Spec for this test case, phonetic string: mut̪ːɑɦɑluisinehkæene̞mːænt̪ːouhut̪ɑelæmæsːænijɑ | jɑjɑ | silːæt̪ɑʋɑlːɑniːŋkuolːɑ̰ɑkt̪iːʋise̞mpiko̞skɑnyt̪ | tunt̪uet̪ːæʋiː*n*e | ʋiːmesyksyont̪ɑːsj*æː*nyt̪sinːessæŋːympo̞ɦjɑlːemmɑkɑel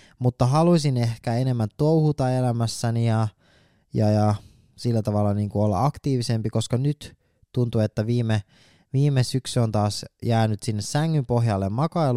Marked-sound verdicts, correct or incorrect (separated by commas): incorrect, correct